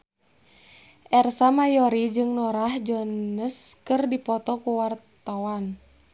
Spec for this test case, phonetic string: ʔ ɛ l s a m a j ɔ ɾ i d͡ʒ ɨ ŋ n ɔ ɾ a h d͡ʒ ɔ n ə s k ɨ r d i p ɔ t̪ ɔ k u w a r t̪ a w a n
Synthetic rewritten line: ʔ ɛ r s a m a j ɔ ɾ i d͡ʒ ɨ ŋ n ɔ ɾ a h d͡ʒ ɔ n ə s k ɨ r d i p ɔ t̪ ɔ k u w a r t̪ a w a n